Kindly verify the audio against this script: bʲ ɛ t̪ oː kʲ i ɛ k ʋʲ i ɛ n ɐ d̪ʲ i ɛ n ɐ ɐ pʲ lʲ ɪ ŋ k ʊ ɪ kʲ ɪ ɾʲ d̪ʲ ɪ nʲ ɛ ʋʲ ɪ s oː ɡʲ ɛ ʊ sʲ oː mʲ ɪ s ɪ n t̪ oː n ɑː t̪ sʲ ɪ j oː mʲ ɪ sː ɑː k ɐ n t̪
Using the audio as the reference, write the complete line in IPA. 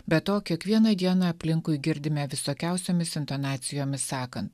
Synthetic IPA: bʲ ɛ t̪ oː kʲ i ɛ k ʋʲ i ɛ n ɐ d̪ʲ i ɛ n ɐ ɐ pʲ lʲ ɪ ŋ k ʊ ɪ ɡʲ ɪ ɾʲ d̪ʲ ɪ mʲ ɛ ʋʲ ɪ s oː kʲ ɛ ʊ sʲ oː mʲ ɪ s ɪ n t̪ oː n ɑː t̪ sʲ ɪ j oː mʲ ɪ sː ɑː k ɐ n t̪